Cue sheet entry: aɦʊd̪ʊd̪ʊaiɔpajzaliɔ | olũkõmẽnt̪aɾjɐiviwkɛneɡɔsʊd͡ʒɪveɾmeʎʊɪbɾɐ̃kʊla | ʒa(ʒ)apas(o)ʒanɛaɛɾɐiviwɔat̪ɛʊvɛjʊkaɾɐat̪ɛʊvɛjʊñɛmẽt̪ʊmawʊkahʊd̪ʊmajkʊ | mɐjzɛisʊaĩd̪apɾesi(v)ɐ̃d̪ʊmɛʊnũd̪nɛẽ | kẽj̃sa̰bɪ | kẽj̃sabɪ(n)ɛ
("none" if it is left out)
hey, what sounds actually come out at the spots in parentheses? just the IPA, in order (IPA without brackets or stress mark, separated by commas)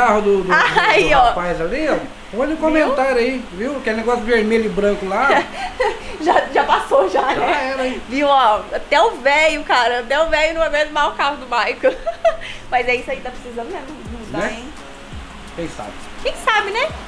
ʒ, o, z, n